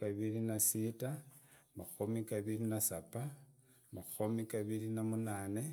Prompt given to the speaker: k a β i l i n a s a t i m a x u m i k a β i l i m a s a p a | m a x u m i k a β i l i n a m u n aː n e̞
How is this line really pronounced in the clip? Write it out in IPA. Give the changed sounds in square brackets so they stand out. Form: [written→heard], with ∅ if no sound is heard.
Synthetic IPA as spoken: k a β i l i n a s [a→i] t [i→a] m a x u m i k a β i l i [m→n] a s a p a | m a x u m i k a β i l i n a m u n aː n e̞